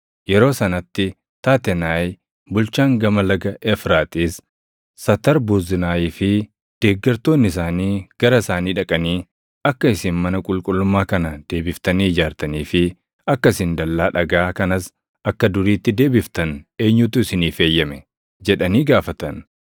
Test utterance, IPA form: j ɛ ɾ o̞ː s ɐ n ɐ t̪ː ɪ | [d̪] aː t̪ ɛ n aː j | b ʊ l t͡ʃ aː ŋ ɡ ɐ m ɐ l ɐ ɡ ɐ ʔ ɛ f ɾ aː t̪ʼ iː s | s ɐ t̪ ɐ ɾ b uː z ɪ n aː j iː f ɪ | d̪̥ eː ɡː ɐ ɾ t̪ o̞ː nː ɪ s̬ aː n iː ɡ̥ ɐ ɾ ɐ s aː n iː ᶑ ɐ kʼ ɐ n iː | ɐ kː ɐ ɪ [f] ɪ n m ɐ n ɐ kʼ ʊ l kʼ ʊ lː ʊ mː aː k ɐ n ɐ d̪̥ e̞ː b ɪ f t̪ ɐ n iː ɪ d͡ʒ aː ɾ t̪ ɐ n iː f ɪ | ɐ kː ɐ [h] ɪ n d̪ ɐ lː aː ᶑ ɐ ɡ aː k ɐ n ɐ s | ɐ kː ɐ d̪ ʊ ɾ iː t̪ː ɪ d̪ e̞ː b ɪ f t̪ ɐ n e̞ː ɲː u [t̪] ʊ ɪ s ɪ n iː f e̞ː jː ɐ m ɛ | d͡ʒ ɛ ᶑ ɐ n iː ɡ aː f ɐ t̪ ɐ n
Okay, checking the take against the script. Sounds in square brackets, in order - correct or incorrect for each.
incorrect: t̪, incorrect: s, incorrect: s, correct

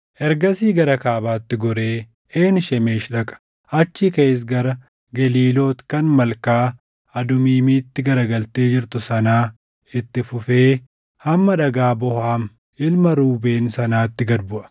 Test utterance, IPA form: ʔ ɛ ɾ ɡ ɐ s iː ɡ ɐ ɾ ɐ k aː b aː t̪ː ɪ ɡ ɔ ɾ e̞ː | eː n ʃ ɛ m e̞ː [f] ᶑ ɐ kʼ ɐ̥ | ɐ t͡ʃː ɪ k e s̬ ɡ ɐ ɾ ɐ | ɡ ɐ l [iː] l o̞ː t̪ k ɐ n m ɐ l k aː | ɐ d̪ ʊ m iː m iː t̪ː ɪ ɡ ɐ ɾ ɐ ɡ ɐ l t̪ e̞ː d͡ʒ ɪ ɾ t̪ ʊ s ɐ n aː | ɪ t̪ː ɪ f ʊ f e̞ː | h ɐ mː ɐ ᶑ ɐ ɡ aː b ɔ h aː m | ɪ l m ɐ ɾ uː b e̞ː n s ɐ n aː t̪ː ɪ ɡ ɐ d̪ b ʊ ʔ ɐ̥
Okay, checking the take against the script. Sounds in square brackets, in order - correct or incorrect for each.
incorrect: ʃ, correct

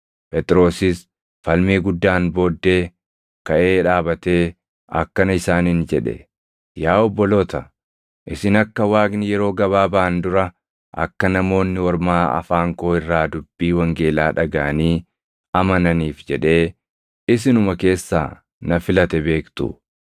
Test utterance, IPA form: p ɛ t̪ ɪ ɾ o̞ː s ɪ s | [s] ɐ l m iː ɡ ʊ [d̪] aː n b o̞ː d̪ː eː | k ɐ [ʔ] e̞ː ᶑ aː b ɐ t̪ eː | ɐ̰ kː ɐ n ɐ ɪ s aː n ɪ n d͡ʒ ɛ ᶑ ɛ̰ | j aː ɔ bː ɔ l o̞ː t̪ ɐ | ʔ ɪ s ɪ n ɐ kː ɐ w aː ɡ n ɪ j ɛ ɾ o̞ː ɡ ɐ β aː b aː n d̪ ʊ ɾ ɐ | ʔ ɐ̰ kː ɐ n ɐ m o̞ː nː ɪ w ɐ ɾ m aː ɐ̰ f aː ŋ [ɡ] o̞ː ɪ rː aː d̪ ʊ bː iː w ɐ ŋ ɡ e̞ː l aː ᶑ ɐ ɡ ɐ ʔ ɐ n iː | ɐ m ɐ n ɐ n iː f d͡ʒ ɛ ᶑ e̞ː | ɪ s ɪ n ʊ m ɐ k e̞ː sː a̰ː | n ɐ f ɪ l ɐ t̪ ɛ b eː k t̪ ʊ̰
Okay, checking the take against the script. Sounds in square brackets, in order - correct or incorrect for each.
incorrect: f, incorrect: d̪ː, correct, incorrect: k

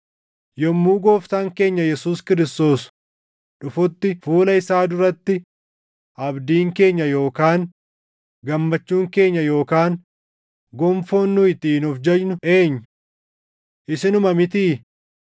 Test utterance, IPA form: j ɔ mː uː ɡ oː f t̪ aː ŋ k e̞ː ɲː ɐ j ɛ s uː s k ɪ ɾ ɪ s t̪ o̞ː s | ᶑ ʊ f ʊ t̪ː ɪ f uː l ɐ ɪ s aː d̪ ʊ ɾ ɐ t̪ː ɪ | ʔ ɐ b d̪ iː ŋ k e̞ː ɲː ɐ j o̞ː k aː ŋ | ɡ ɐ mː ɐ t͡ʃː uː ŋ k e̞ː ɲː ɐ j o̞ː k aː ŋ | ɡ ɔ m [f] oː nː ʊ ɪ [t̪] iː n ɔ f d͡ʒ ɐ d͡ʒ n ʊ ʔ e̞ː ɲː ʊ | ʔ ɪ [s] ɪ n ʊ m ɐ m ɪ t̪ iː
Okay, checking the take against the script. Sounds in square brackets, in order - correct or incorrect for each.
correct, correct, correct

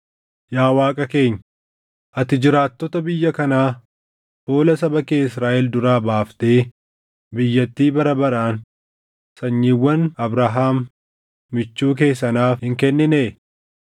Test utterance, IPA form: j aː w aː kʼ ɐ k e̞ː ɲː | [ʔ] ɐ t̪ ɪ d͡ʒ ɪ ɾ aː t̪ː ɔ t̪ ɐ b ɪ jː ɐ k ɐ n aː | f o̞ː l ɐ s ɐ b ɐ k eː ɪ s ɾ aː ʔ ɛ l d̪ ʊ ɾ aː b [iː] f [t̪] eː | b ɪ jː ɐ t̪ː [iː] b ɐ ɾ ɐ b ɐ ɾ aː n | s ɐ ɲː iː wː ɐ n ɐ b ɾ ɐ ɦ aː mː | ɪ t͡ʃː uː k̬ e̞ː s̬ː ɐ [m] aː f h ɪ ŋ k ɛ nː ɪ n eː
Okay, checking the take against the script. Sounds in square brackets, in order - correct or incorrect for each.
correct, incorrect: aː, correct, correct, incorrect: n

